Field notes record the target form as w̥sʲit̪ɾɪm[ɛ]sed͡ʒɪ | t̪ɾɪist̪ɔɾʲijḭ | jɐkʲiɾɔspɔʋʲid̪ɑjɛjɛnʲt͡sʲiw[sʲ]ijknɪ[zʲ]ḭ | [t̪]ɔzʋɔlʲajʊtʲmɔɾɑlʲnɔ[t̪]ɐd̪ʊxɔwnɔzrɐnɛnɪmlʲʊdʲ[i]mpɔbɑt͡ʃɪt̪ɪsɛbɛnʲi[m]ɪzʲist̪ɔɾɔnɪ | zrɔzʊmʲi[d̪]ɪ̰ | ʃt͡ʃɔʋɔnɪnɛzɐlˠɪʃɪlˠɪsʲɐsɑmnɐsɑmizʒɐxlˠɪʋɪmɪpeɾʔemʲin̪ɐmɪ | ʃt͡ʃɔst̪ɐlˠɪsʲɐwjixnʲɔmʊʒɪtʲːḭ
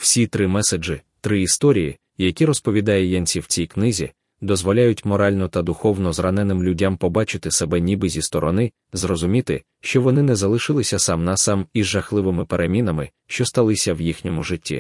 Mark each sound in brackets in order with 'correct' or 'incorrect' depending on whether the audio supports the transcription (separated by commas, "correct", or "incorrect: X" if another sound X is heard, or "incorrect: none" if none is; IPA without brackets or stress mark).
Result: correct, incorrect: t͡sʲ, correct, incorrect: d̪, correct, incorrect: a, incorrect: b, incorrect: t̪